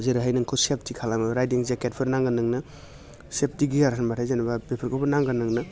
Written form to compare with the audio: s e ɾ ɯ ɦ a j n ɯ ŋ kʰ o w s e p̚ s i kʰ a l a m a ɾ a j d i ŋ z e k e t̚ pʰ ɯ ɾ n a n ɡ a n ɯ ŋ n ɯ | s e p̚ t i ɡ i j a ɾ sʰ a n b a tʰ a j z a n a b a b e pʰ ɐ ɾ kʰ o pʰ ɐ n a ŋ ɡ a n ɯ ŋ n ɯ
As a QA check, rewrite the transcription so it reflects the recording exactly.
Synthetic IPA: z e ɾ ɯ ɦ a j n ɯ ŋ kʰ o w s e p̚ t i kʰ a l a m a ɾ a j d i ŋ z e k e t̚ pʰ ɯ ɾ n a ŋ ɡ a n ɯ ŋ n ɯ | s e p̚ t i ɡ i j a ɾ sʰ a n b a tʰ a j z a n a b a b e pʰ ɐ ɾ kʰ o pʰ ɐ n a ŋ ɡ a n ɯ ŋ n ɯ